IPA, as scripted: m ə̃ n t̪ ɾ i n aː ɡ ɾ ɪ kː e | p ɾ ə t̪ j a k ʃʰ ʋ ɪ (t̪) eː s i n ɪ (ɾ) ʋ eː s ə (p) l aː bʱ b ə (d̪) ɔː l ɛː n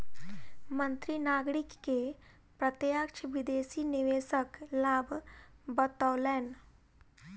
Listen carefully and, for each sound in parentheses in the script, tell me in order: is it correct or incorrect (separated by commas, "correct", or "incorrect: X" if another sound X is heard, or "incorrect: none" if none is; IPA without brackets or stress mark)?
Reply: incorrect: d̪, incorrect: none, incorrect: k, incorrect: t̪